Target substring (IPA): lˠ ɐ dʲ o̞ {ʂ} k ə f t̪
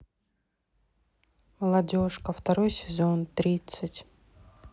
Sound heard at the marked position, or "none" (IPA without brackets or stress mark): ʂ